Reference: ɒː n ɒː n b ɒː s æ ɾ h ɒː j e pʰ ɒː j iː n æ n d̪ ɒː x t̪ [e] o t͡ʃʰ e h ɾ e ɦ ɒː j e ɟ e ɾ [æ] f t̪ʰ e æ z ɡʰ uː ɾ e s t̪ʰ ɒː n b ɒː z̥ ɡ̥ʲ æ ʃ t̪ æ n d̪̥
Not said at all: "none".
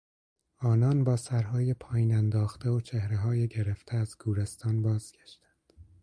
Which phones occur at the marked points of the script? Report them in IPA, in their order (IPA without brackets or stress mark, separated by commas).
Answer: e, e